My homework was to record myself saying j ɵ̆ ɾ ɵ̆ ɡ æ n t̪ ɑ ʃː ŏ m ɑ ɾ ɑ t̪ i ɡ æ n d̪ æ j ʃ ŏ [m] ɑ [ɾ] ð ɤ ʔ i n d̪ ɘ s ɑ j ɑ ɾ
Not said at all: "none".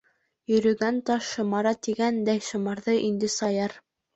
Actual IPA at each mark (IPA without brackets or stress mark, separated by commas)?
m, ɾ